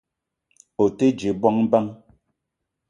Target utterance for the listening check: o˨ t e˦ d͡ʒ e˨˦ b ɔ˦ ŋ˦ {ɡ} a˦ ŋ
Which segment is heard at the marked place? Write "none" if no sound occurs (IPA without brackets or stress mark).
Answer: b